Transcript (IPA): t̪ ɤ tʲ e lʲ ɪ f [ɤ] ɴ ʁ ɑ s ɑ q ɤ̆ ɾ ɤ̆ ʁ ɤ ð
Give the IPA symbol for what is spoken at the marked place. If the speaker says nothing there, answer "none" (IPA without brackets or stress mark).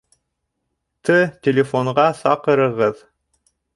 o